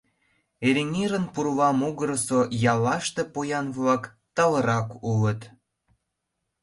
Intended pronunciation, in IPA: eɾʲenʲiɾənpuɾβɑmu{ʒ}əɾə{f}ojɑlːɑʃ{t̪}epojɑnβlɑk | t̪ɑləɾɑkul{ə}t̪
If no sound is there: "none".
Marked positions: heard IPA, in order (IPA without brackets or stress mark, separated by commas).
ɣ, s, t̪, ə